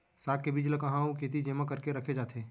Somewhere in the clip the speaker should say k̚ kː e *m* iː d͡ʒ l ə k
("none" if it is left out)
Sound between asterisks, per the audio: b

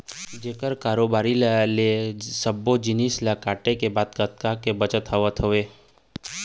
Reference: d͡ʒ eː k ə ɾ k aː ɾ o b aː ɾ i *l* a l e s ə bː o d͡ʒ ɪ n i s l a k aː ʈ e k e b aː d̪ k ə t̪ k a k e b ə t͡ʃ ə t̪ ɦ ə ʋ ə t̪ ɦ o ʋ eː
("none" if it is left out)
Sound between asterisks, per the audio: l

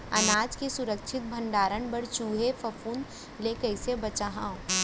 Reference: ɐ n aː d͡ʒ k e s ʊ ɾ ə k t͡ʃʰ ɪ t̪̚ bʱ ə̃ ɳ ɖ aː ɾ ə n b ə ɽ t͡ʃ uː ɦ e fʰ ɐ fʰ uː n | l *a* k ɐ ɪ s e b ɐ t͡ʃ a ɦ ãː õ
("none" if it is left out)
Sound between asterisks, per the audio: e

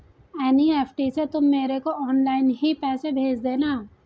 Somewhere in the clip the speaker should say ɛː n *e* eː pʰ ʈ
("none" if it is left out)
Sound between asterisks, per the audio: i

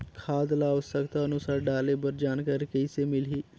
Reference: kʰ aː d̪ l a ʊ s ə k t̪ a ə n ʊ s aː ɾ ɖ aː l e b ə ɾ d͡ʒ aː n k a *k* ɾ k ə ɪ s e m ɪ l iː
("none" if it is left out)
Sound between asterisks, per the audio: none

